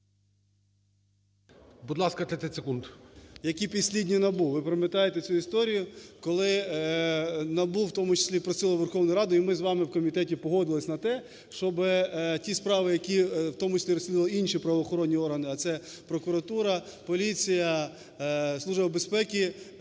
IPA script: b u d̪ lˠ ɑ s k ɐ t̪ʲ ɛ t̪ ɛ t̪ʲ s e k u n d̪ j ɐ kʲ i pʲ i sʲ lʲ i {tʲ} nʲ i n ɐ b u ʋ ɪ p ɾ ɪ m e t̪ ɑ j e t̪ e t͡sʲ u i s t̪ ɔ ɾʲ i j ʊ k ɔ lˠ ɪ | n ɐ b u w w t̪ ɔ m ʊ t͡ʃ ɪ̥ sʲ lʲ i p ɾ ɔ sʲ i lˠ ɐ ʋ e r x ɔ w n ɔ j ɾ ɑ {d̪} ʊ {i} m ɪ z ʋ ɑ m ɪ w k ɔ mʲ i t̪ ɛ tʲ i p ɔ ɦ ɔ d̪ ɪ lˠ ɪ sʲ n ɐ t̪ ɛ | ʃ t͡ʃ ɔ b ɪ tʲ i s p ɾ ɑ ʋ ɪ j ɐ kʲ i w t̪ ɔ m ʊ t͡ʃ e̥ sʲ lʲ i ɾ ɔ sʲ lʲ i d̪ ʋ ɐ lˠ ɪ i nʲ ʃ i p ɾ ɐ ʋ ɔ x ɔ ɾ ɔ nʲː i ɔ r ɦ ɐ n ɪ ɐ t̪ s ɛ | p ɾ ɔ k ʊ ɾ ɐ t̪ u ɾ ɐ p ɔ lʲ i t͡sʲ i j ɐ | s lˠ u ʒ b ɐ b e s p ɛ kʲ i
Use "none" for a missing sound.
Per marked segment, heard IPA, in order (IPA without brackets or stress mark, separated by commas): dʲ, d̪, i